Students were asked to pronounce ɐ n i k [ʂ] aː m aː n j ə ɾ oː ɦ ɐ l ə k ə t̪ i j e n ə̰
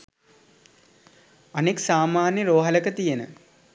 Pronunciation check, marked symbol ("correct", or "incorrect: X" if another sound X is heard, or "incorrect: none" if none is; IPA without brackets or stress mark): incorrect: s